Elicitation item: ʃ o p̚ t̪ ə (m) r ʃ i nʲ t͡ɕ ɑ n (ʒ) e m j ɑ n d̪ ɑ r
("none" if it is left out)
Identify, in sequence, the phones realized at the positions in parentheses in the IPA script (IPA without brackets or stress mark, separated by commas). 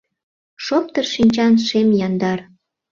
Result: none, ʃ